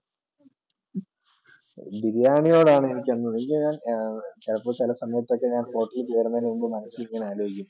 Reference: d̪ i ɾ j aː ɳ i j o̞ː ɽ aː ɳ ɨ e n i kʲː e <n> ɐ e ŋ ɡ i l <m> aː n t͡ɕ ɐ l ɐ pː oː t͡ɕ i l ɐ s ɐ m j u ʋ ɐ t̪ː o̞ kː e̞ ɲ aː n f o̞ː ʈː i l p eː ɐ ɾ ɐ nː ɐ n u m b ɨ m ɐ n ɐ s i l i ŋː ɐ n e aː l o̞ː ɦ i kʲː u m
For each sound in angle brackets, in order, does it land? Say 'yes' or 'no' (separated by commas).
no, no